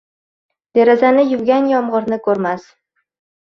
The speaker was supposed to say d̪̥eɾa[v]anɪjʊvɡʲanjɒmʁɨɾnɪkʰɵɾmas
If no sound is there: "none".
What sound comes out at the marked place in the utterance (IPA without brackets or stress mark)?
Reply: z